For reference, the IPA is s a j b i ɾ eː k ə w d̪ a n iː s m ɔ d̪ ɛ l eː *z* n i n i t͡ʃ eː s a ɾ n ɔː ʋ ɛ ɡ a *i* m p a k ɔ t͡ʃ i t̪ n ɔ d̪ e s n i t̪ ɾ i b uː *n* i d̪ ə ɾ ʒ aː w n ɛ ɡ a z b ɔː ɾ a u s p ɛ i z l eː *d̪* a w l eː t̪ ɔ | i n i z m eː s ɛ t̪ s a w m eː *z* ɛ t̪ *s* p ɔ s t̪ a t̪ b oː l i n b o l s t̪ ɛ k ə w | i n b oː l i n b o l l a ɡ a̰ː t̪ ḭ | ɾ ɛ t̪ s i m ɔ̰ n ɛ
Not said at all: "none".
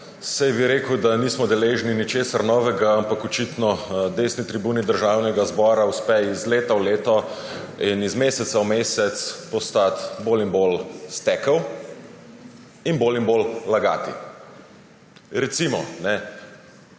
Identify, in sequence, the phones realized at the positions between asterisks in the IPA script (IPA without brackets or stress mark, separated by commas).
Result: ʒ, a, n, t̪, s, s